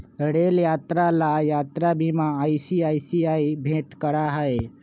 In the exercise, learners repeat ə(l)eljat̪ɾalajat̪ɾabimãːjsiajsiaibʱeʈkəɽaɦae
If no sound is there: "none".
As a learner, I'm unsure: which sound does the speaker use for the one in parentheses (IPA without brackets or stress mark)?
ɽ